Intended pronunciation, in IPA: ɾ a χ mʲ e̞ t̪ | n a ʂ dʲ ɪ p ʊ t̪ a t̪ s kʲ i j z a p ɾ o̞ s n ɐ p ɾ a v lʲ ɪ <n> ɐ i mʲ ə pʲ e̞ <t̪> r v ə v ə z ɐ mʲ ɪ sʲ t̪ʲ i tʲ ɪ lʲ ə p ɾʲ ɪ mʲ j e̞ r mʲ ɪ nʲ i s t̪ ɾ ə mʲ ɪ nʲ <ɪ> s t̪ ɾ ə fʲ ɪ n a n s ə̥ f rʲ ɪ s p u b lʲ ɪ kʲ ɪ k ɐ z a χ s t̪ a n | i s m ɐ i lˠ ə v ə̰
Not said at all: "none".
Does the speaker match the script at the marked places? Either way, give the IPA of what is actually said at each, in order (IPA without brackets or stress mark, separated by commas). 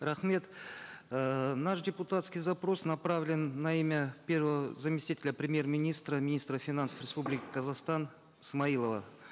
nː, none, i